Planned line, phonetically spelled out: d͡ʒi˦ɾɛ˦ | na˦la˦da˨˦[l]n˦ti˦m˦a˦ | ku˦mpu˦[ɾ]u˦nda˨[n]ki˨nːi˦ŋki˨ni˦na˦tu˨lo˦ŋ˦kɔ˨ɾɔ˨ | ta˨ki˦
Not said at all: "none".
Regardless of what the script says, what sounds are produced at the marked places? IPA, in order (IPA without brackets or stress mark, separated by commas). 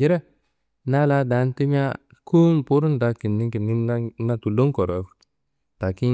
none, ɾ, none